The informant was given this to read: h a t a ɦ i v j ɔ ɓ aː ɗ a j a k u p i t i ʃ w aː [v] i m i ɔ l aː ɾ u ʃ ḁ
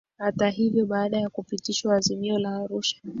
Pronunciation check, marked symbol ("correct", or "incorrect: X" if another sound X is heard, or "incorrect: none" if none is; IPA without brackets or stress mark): incorrect: z